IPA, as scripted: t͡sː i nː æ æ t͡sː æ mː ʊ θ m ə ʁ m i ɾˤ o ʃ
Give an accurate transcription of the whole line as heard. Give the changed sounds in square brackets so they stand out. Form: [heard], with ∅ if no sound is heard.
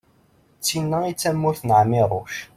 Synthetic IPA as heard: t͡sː i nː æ [i] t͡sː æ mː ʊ θ [n] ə [ʕ] m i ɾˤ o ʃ